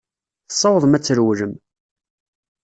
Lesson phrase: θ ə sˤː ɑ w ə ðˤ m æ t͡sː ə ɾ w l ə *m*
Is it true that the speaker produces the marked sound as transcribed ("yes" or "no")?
yes